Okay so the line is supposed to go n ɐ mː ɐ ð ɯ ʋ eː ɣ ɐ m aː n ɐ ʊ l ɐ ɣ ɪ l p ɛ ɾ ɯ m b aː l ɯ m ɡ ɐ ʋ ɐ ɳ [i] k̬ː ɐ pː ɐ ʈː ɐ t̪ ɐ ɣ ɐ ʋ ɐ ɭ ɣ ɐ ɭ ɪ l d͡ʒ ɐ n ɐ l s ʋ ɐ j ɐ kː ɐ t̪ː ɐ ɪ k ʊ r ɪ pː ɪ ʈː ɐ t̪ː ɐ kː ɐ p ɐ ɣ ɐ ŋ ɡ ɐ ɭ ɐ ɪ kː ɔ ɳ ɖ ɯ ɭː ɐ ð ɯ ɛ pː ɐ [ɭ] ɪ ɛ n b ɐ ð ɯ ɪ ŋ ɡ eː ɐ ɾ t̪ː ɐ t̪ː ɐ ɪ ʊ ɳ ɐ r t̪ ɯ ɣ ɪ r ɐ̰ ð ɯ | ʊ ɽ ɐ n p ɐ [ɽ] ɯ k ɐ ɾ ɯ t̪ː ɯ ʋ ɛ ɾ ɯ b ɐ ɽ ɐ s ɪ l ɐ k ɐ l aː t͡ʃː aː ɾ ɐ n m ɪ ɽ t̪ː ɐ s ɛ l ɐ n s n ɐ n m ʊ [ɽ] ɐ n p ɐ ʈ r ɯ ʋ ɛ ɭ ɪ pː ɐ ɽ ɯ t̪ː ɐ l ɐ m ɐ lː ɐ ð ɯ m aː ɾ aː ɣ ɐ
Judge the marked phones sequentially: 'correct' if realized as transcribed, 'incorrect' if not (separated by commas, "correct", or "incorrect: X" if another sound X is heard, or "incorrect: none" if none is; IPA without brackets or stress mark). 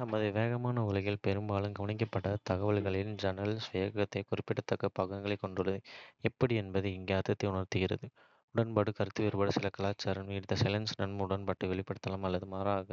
incorrect: ɪ, incorrect: ɽ, correct, correct